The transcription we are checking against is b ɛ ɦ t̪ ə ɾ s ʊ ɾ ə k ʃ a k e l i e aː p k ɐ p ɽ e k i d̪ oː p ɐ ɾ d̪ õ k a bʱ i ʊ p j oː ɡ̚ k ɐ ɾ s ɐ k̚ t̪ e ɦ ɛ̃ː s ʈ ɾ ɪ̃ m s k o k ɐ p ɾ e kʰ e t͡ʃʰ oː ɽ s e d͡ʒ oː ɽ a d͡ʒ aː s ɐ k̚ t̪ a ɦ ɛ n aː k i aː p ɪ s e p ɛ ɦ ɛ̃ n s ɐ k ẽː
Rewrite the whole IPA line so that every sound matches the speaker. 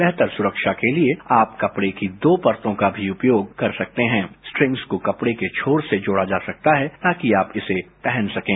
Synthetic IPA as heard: b ɛ ɦ t̪ ə ɾ s ʊ ɾ ə k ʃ a k e l i e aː p k ɐ p ɽ e k i d̪ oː p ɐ ɾ t̪ õ k a bʱ i ʊ p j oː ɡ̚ k ɐ ɾ s ɐ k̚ t̪ e ɦ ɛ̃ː s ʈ ɾ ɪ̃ ŋ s k o k ɐ p ɽ e k e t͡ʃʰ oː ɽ s e d͡ʒ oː ɽ a d͡ʒ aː s ɐ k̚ t̪ a ɦ ɛ n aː k i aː p ɪ s e p ɛ ɦ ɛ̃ n s ɐ k ẽː